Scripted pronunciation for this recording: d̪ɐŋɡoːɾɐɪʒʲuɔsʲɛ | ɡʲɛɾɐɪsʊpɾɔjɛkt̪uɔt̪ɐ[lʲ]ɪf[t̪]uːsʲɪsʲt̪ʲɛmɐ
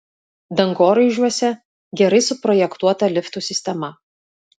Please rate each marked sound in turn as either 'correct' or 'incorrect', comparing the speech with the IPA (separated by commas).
correct, correct